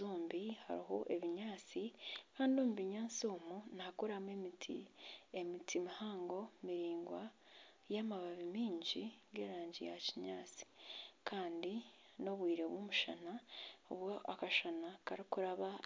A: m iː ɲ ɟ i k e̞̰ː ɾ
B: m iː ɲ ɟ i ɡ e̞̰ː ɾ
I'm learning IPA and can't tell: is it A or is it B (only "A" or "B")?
B